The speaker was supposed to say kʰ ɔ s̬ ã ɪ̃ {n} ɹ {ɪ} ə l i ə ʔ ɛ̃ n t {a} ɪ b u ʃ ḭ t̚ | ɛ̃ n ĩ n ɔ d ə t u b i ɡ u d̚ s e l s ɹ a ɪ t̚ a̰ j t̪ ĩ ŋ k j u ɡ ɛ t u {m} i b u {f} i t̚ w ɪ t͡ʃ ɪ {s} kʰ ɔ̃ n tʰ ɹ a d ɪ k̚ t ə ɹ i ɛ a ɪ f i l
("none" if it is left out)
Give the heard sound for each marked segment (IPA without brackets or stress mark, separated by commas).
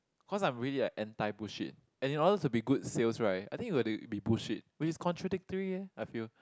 m, i, a, b, ʃ, s